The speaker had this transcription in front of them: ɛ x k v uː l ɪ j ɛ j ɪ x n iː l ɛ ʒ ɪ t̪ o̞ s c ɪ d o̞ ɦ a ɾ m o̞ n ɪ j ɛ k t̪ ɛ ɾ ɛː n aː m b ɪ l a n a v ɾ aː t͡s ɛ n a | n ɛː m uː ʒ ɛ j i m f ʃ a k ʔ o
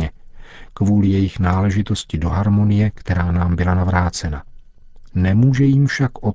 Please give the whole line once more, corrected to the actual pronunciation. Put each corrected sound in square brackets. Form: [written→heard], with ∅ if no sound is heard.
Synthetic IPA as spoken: ɛ [x→∅] k v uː l ɪ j ɛ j ɪ x n [iː→aː] l ɛ ʒ ɪ t̪ o̞ s c ɪ d o̞ ɦ a ɾ m o̞ n ɪ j ɛ k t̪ ɛ ɾ [ɛː→aː] n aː m b ɪ l a n a v ɾ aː t͡s ɛ n a | n [ɛː→ɛ] m uː ʒ ɛ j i m f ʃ a k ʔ o